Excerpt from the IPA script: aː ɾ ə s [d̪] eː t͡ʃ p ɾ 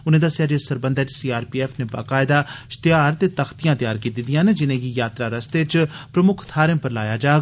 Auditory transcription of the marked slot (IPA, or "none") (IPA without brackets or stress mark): t̪